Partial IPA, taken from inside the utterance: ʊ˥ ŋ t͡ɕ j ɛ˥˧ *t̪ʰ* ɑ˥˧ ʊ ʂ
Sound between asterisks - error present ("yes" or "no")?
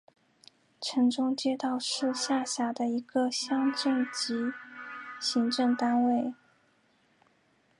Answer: yes